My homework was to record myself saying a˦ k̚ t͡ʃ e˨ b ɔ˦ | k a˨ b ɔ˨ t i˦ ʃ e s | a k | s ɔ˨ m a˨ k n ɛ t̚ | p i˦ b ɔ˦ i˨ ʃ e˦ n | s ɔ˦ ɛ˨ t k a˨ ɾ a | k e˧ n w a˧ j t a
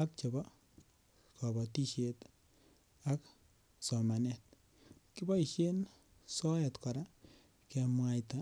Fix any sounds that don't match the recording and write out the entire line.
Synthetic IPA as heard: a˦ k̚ t͡ʃ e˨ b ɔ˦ | k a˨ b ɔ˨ t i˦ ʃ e t | a k | s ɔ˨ m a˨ n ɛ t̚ | k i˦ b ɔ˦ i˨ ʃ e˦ n | s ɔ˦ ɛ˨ t k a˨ ɾ a | k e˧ m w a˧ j t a